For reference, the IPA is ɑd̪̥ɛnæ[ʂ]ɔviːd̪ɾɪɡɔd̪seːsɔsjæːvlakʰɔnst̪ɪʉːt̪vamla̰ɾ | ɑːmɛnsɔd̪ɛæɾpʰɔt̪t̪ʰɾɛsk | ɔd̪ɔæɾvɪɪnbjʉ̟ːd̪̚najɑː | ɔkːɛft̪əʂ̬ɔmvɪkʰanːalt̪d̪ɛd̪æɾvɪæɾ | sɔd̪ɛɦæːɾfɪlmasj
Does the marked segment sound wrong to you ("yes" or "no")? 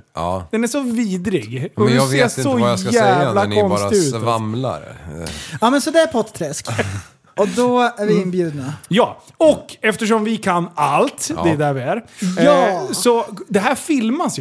no